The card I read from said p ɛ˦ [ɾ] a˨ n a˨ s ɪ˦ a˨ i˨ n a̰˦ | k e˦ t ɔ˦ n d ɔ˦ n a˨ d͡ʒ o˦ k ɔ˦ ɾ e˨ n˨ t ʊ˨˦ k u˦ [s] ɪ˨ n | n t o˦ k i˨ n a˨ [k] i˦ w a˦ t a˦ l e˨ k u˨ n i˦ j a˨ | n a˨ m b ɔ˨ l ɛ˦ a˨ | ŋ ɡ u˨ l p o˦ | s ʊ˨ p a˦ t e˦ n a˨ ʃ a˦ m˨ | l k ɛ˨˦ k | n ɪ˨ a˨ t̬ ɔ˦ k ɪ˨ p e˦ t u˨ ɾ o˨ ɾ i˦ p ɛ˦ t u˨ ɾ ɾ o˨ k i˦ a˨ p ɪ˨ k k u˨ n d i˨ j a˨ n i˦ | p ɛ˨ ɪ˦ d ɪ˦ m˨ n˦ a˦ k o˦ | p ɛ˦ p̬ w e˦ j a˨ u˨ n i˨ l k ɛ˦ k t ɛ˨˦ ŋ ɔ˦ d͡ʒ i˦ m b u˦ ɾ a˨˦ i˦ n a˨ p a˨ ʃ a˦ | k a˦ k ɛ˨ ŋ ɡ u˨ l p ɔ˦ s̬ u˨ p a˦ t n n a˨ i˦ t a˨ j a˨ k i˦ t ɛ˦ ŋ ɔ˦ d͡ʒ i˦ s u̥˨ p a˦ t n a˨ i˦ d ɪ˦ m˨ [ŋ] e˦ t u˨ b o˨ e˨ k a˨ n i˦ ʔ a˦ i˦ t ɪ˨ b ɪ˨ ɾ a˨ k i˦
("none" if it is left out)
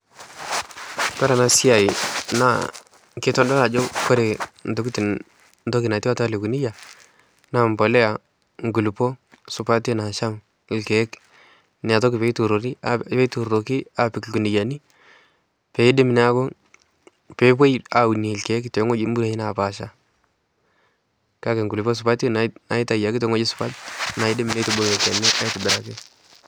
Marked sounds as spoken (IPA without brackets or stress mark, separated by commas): ɾ, t, t, n